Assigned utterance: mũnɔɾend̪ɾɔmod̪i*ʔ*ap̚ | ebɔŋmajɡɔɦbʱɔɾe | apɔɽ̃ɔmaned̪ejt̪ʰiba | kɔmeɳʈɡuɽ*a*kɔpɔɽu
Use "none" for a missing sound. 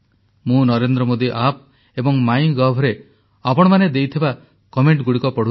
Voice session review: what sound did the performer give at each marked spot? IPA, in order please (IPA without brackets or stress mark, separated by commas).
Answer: ʔ, i